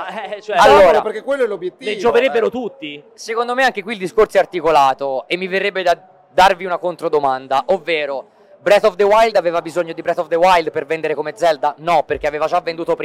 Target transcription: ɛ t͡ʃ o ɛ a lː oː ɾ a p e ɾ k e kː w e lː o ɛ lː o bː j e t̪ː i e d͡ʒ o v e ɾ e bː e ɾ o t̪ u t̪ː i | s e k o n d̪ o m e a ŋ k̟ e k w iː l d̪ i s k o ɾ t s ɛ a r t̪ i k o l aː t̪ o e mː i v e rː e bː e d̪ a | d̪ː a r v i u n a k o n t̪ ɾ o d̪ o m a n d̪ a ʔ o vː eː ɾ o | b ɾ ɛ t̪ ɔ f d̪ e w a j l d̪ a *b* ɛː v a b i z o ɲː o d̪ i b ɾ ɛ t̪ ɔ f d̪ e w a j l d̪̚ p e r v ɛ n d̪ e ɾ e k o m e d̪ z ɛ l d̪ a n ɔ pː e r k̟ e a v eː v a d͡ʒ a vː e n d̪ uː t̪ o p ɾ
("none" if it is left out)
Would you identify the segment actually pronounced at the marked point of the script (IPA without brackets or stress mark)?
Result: v